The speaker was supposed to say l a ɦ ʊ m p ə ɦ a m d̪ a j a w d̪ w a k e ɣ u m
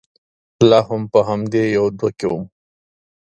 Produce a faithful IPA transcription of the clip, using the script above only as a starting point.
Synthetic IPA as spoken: l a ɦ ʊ m p ə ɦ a m d̪ e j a w d̪ w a k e w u m